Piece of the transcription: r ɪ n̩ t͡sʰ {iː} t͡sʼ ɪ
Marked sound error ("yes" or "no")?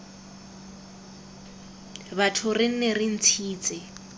no